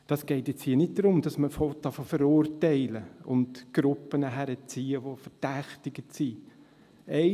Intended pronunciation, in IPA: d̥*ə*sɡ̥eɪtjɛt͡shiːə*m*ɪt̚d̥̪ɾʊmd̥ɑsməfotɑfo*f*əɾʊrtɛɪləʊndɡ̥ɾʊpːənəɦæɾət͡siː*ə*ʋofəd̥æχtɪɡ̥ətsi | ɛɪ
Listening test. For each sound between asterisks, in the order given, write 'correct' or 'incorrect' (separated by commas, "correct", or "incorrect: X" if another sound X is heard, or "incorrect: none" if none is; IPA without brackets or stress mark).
incorrect: ɑ, incorrect: n, correct, correct